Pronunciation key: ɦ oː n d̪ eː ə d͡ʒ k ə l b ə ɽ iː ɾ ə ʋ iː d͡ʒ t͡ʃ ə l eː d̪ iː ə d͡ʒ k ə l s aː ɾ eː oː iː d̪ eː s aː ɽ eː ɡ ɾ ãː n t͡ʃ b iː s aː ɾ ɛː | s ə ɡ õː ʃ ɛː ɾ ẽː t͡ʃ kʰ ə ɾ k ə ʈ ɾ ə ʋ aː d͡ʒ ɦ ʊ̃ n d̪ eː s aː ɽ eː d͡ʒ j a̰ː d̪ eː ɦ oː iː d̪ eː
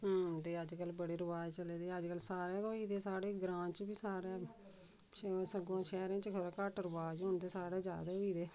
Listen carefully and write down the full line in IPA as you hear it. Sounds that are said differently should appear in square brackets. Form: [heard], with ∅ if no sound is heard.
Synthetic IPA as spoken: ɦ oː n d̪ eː ə d͡ʒ k ə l b ə ɽ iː ɾ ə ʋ [aː] d͡ʒ t͡ʃ ə l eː d̪ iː ə d͡ʒ k ə l s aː ɾ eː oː iː d̪ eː s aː ɽ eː ɡ ɾ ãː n t͡ʃ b iː s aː ɾ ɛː | s ə ɡ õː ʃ ɛː ɾ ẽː t͡ʃ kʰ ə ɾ k ə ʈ ɾ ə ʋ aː d͡ʒ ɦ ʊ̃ n d̪ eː s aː ɽ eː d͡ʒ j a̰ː d̪ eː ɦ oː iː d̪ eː